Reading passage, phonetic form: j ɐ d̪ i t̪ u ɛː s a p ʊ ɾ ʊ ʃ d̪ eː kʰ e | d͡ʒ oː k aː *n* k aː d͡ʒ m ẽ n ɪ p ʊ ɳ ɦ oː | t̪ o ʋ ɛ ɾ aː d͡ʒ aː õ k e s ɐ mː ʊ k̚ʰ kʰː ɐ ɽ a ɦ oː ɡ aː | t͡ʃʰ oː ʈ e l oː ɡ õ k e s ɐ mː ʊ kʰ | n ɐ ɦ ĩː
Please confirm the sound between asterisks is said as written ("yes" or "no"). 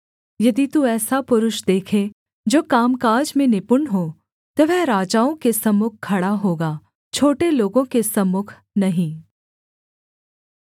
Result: no